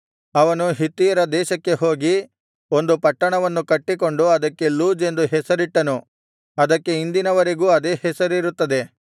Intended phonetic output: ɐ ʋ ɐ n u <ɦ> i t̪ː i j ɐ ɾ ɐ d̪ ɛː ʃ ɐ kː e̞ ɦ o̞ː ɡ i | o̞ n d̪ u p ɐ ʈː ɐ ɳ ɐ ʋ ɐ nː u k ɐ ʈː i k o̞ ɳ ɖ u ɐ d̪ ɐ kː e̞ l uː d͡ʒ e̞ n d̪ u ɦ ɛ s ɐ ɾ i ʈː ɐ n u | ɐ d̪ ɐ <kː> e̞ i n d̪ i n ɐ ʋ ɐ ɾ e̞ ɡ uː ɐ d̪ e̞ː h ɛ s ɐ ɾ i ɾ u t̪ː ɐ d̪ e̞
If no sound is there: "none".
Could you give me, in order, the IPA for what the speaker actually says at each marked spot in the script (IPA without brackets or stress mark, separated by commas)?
ɦ, kː